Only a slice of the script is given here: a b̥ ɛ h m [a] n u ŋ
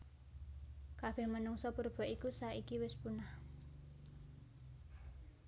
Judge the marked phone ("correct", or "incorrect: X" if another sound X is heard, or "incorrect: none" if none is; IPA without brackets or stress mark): incorrect: ə